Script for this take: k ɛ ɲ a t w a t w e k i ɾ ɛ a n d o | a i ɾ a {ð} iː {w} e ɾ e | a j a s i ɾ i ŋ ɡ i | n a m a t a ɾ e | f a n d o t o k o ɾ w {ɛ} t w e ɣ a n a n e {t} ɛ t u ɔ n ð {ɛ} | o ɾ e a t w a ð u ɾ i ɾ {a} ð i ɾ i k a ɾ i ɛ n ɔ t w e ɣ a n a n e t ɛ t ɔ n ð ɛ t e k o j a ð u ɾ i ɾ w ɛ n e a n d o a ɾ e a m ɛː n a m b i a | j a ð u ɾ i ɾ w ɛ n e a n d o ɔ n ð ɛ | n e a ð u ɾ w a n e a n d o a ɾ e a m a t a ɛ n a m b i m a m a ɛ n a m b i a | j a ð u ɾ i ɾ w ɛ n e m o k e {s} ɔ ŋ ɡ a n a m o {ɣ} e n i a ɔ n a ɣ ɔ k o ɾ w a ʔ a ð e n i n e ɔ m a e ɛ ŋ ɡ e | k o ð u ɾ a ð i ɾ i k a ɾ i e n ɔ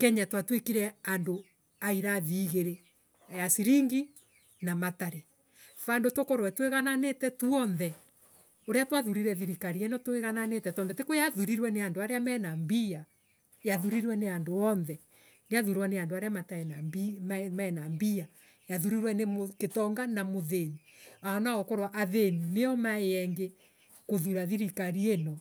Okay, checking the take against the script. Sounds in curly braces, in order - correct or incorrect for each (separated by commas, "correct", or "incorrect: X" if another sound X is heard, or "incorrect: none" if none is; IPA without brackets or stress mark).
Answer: correct, incorrect: ɣ, correct, correct, correct, incorrect: ɛ, incorrect: t, incorrect: ð